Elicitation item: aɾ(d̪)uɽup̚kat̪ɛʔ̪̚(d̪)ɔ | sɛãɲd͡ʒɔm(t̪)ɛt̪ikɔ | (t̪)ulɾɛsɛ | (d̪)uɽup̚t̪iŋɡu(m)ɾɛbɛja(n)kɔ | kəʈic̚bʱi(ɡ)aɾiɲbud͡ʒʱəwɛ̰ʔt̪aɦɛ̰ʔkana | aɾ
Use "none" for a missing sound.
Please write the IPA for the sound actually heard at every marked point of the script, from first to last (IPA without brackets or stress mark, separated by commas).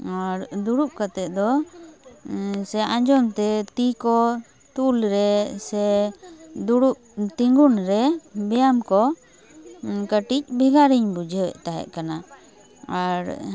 d̪, d̪, t̪, t̪, d̪, n, m, ɡ